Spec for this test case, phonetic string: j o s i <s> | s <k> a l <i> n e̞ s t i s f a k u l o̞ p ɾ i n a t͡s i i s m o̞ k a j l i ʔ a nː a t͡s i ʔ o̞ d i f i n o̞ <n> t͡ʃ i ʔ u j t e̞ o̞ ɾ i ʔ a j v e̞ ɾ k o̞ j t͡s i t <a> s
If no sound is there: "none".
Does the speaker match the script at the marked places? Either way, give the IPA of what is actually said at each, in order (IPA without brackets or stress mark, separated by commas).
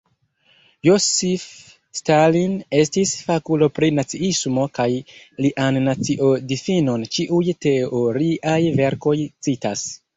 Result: f, t, i, n, a